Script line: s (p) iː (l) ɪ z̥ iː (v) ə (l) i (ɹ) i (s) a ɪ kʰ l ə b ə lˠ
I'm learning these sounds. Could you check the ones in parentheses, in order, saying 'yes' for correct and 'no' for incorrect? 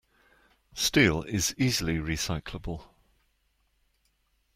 no, yes, no, yes, yes, yes

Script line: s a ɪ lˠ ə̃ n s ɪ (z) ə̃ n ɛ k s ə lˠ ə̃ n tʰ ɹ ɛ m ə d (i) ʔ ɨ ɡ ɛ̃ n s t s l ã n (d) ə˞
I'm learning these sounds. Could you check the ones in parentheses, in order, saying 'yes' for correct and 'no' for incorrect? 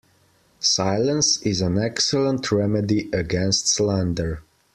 yes, yes, yes

